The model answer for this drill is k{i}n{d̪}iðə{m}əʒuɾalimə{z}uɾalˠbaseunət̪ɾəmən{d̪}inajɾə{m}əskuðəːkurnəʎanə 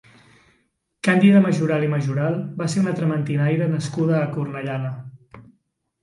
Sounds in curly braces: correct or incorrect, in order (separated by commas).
incorrect, correct, correct, incorrect, incorrect, incorrect